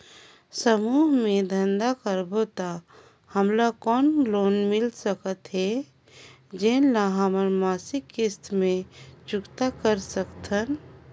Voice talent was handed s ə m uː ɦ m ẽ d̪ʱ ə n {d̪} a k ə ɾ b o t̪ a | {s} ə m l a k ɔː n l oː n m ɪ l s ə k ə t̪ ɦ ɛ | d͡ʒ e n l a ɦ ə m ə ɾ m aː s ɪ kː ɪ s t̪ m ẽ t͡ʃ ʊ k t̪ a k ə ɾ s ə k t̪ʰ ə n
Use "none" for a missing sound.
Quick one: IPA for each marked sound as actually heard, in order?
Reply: d̪, h

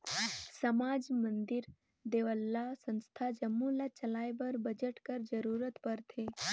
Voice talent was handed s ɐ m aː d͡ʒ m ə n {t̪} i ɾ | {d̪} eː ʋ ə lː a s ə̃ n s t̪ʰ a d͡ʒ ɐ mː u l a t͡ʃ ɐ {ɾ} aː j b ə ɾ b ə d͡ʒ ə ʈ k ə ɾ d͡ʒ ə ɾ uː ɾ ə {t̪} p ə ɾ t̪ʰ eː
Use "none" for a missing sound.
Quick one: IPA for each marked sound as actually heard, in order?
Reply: d̪, d̪, l, t̪

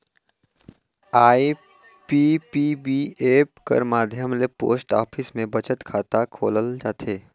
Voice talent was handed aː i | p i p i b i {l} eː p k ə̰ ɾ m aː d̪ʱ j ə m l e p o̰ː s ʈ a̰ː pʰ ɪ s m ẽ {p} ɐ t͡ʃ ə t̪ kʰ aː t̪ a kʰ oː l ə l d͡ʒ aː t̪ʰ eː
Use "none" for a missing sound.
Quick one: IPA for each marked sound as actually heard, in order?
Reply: none, b

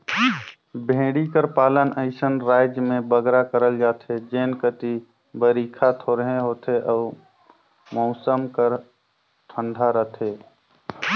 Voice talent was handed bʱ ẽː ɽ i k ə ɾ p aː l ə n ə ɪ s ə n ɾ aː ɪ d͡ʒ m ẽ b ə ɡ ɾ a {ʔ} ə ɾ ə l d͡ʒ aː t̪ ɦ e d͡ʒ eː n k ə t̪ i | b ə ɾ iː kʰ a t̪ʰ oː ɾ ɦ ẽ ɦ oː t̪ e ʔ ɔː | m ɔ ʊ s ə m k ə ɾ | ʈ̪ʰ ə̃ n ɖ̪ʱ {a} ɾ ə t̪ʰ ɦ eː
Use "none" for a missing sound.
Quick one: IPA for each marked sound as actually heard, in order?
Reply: k, a

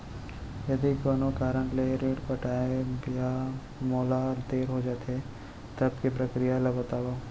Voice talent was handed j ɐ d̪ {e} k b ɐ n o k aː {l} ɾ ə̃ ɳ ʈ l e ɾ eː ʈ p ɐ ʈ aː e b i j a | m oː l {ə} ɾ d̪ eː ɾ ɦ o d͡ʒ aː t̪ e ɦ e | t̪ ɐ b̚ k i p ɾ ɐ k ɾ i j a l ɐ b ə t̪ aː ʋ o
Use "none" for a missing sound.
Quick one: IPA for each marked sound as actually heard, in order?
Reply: i, none, a

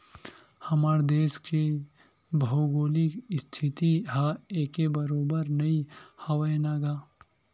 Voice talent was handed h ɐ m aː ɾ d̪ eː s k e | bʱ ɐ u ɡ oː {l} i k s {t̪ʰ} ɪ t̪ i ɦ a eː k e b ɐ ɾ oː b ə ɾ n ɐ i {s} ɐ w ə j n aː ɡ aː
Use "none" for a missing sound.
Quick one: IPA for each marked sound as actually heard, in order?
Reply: l, t̪ʰ, h

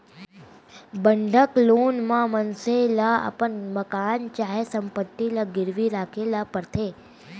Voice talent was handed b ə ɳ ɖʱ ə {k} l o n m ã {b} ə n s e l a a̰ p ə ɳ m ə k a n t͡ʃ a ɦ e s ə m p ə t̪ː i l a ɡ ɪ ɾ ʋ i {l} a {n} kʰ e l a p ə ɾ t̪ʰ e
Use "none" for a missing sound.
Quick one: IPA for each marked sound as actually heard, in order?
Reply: k, m, ɾ, none

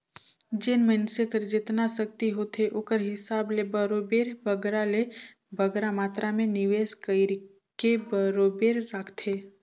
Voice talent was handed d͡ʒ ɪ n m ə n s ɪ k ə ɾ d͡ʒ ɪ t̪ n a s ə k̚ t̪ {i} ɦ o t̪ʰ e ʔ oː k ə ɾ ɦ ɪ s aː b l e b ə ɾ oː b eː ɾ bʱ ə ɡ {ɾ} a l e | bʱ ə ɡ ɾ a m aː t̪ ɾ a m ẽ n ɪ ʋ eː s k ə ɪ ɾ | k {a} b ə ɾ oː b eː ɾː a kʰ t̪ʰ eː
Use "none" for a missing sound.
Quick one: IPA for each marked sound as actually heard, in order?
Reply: i, ɾ, e

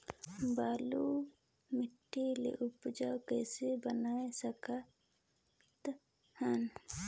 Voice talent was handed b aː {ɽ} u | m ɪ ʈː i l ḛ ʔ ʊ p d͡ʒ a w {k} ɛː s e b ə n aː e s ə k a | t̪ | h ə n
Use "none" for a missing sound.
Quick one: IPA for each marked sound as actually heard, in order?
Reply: l, k

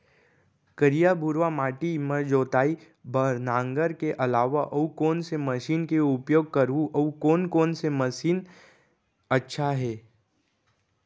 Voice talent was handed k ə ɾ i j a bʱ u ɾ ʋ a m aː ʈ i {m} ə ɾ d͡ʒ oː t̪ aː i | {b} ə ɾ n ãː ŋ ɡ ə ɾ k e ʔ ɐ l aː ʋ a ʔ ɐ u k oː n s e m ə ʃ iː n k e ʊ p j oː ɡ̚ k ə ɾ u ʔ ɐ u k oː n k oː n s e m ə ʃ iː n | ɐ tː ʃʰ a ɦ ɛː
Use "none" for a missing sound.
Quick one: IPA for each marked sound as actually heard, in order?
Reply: m, b

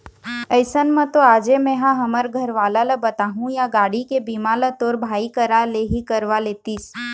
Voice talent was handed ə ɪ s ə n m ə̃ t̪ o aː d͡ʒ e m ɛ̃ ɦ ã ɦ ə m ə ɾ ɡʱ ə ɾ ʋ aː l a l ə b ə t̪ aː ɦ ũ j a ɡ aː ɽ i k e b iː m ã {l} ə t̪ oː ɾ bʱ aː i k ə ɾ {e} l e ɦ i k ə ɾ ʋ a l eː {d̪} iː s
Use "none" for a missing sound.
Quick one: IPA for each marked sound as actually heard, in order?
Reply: l, a, t̪

